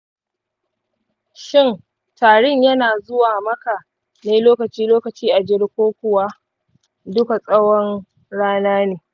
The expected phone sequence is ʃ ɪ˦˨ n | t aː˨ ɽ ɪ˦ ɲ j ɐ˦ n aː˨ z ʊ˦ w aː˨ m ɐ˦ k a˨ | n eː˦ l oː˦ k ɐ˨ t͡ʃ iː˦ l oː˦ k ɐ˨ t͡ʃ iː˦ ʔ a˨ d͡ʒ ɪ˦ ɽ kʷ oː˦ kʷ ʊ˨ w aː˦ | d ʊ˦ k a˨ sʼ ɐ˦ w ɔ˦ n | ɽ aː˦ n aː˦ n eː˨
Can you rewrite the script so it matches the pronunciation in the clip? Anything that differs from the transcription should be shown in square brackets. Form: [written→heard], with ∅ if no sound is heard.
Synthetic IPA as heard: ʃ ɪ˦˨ n | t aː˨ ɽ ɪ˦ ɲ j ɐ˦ n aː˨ z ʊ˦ w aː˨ m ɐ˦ k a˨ | n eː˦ l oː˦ k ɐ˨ t͡ʃ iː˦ l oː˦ k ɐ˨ t͡ʃ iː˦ ʔ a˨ d͡ʒ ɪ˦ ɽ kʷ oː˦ kʷ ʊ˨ w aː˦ | d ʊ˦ k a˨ sʼ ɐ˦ w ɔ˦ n | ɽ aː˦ n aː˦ n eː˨